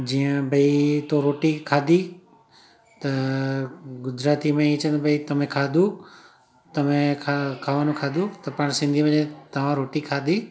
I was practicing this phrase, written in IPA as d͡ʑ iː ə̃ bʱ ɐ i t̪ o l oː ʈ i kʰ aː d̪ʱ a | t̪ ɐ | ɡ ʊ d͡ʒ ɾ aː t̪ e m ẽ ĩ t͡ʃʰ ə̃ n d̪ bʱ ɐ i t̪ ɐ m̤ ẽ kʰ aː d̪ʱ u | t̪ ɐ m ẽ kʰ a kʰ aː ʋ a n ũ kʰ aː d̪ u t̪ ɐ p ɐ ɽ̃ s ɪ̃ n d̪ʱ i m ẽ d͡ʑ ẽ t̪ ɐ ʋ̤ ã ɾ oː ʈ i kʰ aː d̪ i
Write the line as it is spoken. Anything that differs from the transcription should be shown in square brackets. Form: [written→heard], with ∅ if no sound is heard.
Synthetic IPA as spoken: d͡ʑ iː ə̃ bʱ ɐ i t̪ o [l→ɾ] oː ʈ i kʰ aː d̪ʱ [a→i] | t̪ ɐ | ɡ ʊ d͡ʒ ɾ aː t̪ [e→i] m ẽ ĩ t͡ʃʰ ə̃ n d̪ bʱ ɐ i t̪ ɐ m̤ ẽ kʰ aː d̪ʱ u | t̪ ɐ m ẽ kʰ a kʰ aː ʋ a n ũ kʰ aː d̪ u t̪ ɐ p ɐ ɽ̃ s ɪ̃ n d̪ʱ i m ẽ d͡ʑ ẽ t̪ ɐ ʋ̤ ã ɾ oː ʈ i kʰ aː d̪ i